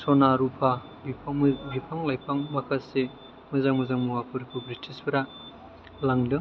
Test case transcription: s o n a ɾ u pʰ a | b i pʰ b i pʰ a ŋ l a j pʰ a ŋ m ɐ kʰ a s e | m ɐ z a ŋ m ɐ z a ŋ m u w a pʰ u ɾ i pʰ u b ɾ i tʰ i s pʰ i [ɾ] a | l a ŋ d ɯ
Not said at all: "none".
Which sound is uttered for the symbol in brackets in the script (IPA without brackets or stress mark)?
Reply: ɾ